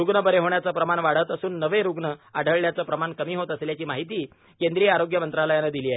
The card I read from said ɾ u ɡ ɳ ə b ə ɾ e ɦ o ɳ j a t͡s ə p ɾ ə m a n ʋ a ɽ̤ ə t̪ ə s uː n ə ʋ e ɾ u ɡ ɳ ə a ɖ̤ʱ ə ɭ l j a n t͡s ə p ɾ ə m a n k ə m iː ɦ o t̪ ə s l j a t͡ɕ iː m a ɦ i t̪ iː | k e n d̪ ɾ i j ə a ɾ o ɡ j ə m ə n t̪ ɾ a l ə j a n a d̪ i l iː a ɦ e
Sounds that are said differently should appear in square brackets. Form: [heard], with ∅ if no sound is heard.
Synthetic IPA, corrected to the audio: ɾ u ɡ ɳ ə b ə ɾ e ɦ o ɳ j a t͡s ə p ɾ ə m a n ʋ a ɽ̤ ə t̪ ə s uː [nː] ə ʋ e ɾ u ɡ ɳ ə a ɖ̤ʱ ə ɭ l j a [∅] t͡s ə p ɾ ə m a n k ə m iː ɦ o t̪ ə s l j a t͡ɕ iː m a ɦ i t̪ iː | k e n d̪ ɾ i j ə a ɾ o ɡ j ə m ə n t̪ ɾ a l ə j a n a d̪ i l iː a ɦ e